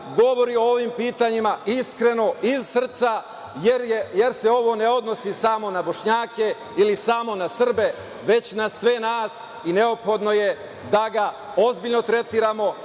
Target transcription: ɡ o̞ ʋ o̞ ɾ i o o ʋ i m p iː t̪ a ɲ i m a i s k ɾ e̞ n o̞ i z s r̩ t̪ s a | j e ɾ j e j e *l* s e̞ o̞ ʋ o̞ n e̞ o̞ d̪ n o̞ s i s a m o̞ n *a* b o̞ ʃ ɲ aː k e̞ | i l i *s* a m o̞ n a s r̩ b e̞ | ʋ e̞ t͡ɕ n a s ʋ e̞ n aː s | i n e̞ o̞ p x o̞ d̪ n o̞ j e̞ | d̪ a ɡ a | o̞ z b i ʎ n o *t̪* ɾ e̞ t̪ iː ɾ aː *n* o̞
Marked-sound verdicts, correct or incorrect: incorrect: ɾ, correct, correct, correct, incorrect: m

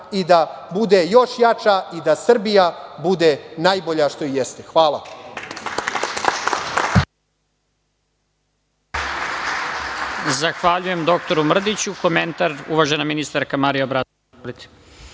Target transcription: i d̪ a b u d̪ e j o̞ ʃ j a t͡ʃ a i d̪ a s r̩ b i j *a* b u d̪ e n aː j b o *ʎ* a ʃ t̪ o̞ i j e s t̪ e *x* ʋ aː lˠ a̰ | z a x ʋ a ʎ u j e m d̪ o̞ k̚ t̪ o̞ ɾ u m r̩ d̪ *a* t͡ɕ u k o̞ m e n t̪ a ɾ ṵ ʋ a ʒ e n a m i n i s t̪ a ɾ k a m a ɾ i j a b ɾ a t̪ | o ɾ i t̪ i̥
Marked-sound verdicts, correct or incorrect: correct, correct, correct, incorrect: i

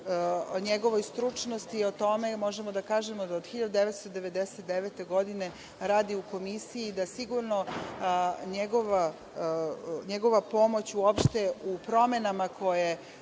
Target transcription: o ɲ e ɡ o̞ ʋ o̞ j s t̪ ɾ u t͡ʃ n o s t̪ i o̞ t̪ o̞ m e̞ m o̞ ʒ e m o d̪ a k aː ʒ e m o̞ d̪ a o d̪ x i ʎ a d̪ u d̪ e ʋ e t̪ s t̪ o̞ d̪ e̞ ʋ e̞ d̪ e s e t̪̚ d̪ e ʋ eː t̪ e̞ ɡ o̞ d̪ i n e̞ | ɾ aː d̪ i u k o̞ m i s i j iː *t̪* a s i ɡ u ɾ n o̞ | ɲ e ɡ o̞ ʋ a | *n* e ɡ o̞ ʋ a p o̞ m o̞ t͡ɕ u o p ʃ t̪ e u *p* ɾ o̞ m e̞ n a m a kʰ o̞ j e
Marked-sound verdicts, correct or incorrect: incorrect: d̪, incorrect: ɲ, correct

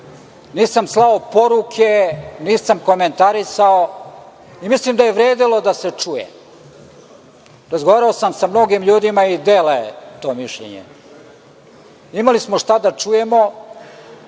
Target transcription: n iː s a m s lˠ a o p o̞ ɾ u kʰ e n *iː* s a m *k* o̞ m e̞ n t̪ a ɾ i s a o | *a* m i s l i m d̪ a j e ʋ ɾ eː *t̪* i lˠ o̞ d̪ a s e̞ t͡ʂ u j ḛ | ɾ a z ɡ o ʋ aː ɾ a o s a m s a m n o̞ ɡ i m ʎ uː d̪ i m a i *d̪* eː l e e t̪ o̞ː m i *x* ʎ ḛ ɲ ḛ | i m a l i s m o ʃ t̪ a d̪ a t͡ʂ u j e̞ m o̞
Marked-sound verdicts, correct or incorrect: correct, correct, incorrect: i, incorrect: d̪, correct, incorrect: ʃ

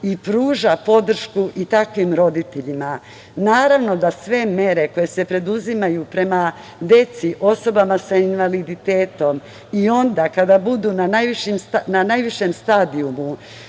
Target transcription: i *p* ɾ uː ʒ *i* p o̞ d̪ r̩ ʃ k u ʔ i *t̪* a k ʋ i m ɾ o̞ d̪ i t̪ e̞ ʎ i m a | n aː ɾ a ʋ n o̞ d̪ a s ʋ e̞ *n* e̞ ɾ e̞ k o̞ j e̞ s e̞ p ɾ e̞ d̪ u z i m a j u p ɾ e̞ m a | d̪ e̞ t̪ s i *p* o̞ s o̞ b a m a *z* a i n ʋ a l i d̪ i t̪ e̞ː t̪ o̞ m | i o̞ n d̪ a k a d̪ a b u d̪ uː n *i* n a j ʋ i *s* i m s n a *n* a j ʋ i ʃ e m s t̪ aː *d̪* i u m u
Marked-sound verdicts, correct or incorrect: correct, incorrect: a, correct, incorrect: m, incorrect: ʔ, incorrect: s, incorrect: a, incorrect: ʃ, correct, correct

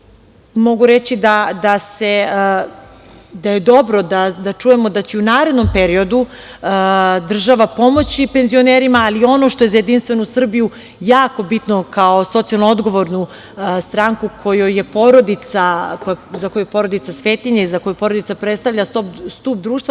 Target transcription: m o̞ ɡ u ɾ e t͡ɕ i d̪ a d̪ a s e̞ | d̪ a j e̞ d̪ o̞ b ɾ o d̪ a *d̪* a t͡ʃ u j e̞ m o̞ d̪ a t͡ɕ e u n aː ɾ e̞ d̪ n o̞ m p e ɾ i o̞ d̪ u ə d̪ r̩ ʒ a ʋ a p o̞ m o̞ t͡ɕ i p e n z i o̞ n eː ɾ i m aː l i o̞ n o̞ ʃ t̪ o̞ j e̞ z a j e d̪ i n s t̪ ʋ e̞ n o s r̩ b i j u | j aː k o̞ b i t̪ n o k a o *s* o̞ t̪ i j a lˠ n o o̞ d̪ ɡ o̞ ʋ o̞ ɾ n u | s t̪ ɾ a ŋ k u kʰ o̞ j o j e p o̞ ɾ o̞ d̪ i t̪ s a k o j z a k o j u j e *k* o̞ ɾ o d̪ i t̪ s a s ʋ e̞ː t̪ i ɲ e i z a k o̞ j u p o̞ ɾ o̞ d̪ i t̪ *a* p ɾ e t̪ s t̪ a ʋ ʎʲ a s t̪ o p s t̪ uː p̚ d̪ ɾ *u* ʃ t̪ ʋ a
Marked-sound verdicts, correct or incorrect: correct, correct, incorrect: p, correct, incorrect: uː

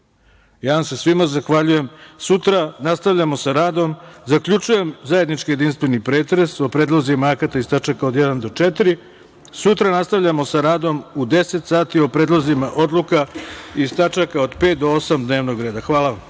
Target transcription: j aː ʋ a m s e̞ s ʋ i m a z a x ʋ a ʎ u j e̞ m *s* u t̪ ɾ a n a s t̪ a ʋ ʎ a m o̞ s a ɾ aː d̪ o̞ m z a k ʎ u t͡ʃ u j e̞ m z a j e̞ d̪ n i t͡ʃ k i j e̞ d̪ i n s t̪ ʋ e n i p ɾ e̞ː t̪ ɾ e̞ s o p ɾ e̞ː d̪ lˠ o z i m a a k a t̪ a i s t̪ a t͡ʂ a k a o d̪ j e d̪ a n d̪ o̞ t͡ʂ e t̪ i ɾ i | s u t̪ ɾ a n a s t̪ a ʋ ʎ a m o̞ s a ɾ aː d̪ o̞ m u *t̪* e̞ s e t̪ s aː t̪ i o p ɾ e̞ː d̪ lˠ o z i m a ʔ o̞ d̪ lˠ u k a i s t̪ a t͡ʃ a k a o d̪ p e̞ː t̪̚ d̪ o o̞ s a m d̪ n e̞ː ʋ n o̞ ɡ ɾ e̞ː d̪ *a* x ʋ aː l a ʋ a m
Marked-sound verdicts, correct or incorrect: correct, incorrect: d̪, correct

